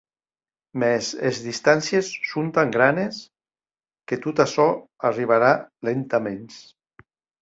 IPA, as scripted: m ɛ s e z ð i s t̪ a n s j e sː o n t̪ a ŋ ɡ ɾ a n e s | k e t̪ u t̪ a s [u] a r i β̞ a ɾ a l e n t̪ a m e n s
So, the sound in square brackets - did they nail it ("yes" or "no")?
no